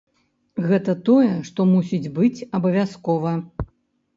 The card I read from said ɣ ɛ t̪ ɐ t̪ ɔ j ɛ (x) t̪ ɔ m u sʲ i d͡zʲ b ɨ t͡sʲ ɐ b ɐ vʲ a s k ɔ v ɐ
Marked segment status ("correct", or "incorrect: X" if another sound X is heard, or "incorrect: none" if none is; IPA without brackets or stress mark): incorrect: ʂ